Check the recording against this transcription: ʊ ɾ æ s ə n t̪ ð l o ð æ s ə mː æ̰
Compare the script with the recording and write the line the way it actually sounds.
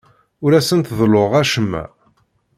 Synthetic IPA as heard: ʊ ɾ æ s ə n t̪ ð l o ʁ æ ʃ ə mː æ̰